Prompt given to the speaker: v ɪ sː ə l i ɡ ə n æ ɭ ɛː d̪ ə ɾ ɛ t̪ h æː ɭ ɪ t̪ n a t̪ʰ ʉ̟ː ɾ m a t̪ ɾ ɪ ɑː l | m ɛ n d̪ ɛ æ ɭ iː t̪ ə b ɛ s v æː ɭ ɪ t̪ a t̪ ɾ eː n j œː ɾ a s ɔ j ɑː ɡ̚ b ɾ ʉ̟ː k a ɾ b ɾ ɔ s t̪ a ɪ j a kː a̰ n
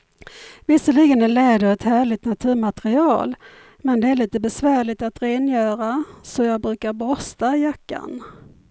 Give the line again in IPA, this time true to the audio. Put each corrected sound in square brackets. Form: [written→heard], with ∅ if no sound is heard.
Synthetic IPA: v ɪ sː ə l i ɡ ə n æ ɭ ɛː d̪ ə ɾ ɛ t̪ h æː ɭ ɪ t̪ n a t̪ʰ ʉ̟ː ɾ m a t̪ ɾ ɪ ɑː l | m ɛ n d̪ ɛ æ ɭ iː t̪ ə b ɛ s v æː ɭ ɪ t̪ a t̪ ɾ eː n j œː ɾ a s ɔ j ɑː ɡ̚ b ɾ ʉ̟ː k a ɾ b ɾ ɔ s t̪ a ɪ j a kː a̰ n